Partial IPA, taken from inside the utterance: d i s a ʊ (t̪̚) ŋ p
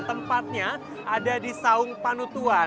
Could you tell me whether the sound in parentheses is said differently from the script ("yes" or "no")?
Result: yes